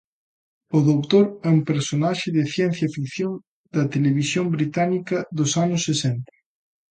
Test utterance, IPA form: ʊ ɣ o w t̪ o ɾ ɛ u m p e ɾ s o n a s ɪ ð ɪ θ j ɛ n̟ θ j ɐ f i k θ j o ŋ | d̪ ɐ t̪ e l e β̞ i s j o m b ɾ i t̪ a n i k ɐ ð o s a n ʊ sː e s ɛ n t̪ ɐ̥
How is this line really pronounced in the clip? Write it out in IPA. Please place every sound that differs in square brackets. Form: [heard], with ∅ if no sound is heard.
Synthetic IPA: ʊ [ð] o w t̪ o ɾ ɛ u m p e ɾ s o n a [ʃ] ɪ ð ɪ θ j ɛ n̟ θ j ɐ f i k θ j o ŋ | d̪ ɐ t̪ e l e β̞ i s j o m b ɾ i t̪ a n i k ɐ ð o s a n ʊ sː e s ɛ n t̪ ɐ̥

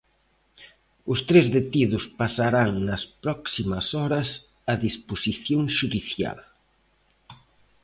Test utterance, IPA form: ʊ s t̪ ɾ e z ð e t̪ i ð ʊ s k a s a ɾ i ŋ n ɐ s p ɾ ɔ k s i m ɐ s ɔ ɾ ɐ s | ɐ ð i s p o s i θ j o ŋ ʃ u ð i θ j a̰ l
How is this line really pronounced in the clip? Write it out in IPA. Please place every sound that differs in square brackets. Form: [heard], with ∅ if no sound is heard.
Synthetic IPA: ʊ s t̪ ɾ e z ð e t̪ i ð ʊ s [p] a s a ɾ [a] ŋ n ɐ s p ɾ ɔ k s i m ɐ s ɔ ɾ ɐ s | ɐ ð i s p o s i θ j o ŋ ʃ u ð i θ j a̰ l

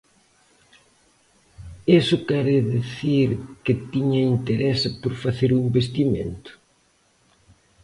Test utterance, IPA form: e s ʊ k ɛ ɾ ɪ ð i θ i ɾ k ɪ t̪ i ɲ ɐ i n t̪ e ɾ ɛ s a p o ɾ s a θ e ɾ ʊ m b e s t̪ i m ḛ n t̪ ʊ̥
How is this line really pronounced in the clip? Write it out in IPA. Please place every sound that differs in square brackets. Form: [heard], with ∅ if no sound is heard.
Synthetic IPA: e s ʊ k ɛ ɾ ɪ ð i θ i ɾ k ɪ t̪ i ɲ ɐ i n t̪ e ɾ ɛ s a p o ɾ [f] a θ e ɾ [u] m b e s t̪ i m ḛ n t̪ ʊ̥

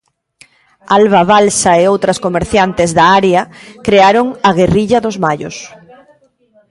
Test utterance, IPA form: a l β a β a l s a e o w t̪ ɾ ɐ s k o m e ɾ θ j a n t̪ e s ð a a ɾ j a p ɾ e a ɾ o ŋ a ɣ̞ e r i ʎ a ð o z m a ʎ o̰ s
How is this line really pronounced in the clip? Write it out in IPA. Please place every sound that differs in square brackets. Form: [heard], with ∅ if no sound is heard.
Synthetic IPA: a l β a β a l s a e o w t̪ ɾ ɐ s k o m e ɾ θ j a n t̪ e [z] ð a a ɾ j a [k] ɾ e a ɾ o ŋ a ɣ̞ e r i ʎ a ð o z m a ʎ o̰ s

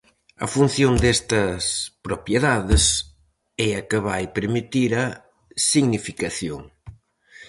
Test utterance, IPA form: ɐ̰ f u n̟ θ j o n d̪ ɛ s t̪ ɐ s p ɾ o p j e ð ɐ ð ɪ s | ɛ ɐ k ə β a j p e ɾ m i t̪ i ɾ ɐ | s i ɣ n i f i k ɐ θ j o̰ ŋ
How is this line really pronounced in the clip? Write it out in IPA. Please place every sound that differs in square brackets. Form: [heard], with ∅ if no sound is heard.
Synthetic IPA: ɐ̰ f u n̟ θ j o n d̪ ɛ s t̪ ɐ s p ɾ o p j e ð [a] ð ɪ s | ɛ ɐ k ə β a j p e ɾ m i t̪ i ɾ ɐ | s i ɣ n i f i k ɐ θ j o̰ ŋ

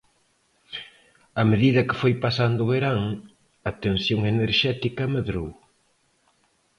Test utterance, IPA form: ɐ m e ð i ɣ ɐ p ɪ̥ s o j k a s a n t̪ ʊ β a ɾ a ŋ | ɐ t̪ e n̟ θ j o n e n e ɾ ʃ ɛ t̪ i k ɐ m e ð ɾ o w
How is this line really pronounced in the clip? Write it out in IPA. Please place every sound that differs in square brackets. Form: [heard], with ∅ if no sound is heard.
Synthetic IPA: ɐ m e ð i [ð] ɐ [k] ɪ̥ [f] o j [p] a s a n [d̪] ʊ β [e] ɾ a ŋ | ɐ t̪ e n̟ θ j o [ŋ] e n e ɾ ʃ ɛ t̪ i k ɐ m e ð ɾ o w

